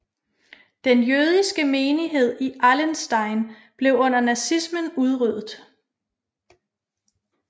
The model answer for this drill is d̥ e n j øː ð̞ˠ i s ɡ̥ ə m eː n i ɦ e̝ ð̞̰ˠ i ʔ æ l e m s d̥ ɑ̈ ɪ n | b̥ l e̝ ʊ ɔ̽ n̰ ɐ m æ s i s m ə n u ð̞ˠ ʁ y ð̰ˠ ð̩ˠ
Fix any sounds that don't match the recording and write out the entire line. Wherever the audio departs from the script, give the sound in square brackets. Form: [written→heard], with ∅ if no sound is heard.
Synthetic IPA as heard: d̥ e n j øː ð̞ˠ i s ɡ̥ ə m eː n i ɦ e̝ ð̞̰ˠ i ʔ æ l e [m→n] s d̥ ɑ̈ ɪ n | b̥ l e̝ ʊ ɔ̽ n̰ ɐ [m→n] æ s i s m ə n u ð̞ˠ ʁ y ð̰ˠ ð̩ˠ